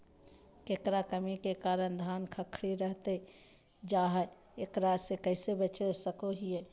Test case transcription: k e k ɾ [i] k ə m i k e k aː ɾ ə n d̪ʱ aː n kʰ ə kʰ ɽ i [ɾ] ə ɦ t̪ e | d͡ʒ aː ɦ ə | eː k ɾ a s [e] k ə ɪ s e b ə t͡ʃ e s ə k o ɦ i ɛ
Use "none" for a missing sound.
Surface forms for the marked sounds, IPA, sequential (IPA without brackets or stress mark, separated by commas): a, ɾ, e